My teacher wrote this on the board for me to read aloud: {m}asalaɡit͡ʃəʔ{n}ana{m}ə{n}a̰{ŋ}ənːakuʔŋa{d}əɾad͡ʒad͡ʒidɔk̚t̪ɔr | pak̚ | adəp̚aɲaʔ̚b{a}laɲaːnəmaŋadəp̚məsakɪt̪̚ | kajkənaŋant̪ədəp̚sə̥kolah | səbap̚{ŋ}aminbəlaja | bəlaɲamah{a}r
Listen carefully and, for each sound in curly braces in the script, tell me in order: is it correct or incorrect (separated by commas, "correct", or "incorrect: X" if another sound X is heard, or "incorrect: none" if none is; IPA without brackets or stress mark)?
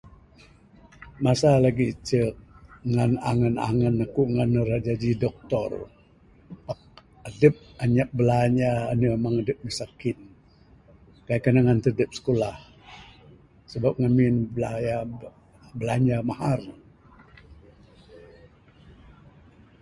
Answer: correct, incorrect: ŋ, incorrect: ŋ, correct, correct, incorrect: n, incorrect: ə, correct, correct